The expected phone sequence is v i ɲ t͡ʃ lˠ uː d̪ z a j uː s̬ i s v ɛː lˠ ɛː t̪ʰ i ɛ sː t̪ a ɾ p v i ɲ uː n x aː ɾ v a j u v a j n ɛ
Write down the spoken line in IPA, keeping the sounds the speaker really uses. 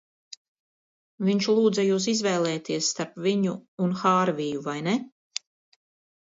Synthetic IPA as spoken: v i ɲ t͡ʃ lˠ uː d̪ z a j uː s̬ i z v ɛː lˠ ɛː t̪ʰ i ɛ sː t̪ a ɾ p v i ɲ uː n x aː ɾ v i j u v a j n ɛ